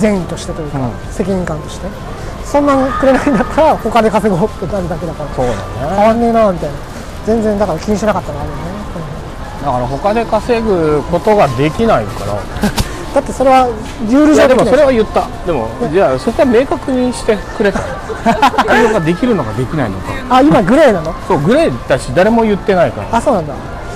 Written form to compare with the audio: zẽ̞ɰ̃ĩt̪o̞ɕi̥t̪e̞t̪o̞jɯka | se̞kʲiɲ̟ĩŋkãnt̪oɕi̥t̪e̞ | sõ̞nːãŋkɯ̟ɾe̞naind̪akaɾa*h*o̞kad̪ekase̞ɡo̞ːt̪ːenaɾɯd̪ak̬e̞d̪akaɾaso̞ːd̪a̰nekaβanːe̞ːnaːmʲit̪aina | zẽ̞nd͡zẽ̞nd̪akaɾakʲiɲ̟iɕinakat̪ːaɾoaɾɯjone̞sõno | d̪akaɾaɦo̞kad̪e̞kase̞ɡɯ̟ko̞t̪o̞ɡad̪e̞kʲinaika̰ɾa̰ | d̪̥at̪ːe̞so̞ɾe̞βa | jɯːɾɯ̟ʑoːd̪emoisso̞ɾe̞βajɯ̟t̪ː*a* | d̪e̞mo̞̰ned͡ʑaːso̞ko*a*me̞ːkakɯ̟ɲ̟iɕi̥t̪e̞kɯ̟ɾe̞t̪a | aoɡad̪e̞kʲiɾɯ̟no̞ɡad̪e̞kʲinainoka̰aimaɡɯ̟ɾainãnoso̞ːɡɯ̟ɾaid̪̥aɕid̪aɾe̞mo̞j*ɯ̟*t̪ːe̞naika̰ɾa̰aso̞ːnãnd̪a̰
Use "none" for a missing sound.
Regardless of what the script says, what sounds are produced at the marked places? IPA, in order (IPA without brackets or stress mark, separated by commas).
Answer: h, a, a, ɯ̟